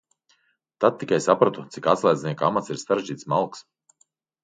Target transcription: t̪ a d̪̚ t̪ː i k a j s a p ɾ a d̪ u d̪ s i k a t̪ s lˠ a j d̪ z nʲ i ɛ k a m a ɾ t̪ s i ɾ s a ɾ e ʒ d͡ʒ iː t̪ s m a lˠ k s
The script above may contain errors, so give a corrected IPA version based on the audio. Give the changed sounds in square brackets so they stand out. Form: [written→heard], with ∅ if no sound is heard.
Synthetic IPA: t̪ a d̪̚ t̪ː i k a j s a p ɾ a [d̪→t̪] u [d̪→t̪] s i k a t̪ s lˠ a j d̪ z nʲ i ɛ k a m a [ɾ→∅] t̪ s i ɾ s a ɾ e ʒ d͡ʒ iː t̪ s m a lˠ k s